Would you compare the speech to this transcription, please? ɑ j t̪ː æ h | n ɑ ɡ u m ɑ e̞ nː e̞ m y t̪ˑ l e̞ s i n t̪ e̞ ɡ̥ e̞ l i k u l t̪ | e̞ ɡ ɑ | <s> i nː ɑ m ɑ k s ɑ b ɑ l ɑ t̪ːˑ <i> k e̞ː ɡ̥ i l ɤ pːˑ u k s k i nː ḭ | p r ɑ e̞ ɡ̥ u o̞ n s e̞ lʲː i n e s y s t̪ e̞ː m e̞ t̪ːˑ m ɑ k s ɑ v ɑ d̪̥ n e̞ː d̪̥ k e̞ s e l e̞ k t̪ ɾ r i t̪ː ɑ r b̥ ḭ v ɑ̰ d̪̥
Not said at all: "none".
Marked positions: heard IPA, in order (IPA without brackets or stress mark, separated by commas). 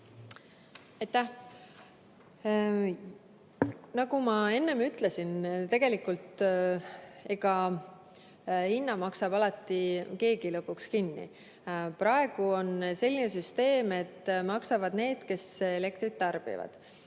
h, i